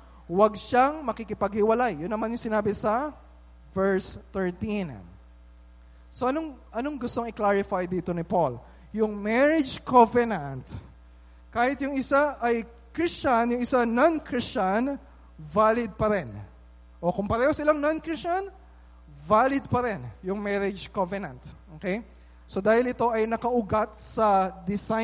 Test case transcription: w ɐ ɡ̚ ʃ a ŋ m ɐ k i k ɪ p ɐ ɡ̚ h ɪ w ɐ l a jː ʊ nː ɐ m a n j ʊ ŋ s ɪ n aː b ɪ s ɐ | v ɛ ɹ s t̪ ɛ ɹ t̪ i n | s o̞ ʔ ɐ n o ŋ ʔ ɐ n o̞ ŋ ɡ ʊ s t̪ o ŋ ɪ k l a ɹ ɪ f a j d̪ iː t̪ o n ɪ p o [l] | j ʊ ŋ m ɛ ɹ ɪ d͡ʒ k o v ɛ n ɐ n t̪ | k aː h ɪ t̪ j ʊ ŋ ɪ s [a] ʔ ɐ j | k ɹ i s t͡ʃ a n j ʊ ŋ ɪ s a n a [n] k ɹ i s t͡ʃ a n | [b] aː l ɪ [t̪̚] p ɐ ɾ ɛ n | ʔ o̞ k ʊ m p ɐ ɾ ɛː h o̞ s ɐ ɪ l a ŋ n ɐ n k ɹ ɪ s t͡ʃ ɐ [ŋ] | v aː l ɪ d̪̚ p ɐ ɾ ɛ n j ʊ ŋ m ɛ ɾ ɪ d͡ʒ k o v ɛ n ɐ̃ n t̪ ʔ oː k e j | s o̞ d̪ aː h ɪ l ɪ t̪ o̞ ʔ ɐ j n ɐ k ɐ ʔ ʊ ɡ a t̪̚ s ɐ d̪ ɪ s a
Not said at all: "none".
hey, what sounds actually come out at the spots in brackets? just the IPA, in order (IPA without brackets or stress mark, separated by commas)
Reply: l, a, n, v, d̪̚, n